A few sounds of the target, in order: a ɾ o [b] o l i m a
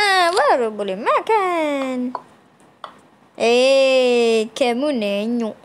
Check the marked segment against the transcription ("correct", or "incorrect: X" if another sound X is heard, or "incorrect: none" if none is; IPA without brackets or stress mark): correct